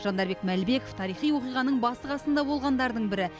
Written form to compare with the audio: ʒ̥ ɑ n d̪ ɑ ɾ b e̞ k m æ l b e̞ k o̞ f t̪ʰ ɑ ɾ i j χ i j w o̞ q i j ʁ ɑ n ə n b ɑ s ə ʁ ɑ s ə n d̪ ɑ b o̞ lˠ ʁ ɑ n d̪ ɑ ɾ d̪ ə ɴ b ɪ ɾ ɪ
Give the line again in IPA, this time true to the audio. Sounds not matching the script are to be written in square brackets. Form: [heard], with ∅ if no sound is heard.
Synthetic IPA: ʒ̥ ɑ n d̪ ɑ ɾ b e̞ k m æ l b e̞ k o̞ f t̪ʰ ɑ ɾ i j χ i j w o̞ q i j ʁ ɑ n ə [ɴ] b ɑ s ə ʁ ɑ s ə n d̪ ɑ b o̞ lˠ ʁ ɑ n d̪ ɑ ɾ d̪ ə ɴ b ɪ ɾ ɪ